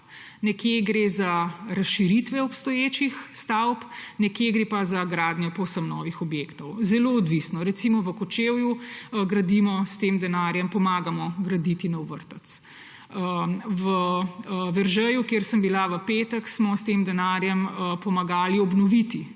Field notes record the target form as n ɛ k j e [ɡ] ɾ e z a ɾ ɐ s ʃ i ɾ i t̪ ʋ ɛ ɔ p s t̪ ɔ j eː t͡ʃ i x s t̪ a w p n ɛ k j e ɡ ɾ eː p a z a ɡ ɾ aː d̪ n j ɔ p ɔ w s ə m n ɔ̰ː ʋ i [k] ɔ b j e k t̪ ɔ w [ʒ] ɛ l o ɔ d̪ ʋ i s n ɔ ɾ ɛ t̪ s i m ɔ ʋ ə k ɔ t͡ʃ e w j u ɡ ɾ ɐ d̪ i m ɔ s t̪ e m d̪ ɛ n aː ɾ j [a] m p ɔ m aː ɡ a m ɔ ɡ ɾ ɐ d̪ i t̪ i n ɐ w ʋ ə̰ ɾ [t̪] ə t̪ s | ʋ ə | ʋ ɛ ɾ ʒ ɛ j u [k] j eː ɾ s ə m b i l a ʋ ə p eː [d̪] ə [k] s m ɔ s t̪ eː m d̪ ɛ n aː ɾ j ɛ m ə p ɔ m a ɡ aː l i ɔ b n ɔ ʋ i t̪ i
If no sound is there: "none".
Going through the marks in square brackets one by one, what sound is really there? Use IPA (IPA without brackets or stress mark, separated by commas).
ɡ, x, z, ɛ, t̪, k, t̪, k